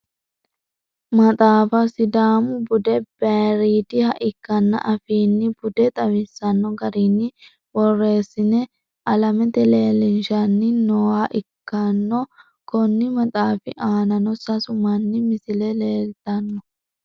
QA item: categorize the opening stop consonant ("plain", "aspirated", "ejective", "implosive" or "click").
ejective